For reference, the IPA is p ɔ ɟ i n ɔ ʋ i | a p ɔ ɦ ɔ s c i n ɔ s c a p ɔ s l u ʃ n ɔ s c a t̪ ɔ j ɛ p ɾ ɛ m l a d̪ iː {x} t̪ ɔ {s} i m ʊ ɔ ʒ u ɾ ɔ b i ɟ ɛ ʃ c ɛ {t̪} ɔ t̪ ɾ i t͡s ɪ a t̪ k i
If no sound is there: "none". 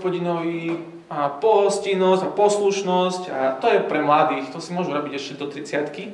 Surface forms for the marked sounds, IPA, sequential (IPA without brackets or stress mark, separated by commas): x, s, d̪